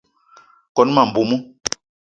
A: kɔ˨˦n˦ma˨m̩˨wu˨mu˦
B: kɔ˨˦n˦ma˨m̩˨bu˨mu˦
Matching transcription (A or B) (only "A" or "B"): B